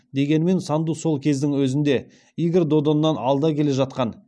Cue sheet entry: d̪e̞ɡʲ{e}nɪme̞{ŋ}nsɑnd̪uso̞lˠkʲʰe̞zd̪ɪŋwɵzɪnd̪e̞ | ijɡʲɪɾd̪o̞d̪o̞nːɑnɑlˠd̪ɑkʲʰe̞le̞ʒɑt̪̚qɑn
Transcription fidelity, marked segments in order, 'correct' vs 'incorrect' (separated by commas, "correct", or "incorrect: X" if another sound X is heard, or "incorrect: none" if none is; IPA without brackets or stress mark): correct, incorrect: none